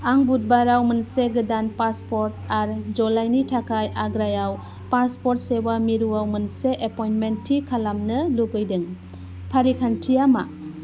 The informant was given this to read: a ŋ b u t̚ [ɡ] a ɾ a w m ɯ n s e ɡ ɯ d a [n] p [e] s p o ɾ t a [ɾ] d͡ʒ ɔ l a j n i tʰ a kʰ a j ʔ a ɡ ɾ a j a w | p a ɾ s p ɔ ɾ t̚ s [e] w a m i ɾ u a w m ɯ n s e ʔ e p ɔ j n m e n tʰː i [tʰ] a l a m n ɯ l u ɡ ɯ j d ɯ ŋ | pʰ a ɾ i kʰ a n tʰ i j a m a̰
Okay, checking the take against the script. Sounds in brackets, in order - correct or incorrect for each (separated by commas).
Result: incorrect, correct, incorrect, correct, correct, incorrect